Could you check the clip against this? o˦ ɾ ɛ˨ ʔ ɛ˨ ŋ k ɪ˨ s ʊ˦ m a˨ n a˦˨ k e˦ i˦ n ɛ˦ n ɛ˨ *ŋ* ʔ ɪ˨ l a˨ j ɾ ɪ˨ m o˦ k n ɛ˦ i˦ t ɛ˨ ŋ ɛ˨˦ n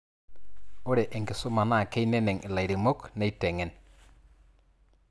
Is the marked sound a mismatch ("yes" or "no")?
no